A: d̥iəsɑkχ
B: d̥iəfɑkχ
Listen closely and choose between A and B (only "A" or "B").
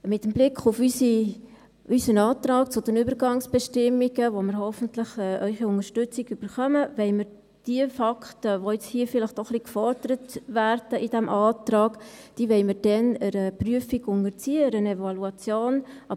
B